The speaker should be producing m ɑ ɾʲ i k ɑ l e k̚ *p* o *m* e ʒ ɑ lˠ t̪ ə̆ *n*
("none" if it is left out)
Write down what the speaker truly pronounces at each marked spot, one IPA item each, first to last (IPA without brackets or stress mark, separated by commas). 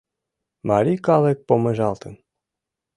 p, m, n